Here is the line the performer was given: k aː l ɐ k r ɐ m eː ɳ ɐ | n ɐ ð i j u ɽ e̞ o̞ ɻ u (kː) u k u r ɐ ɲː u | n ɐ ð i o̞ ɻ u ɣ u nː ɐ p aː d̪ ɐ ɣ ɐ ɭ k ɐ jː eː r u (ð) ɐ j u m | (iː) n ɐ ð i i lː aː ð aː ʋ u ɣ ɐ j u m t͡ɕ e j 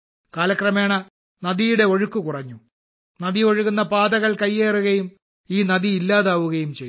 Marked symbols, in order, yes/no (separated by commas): yes, no, yes